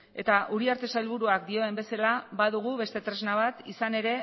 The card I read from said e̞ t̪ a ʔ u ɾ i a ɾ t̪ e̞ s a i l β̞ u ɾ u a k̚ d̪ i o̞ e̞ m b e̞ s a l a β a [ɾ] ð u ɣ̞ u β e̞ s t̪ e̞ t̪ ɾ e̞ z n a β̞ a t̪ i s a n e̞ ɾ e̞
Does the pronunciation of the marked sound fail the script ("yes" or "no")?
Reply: yes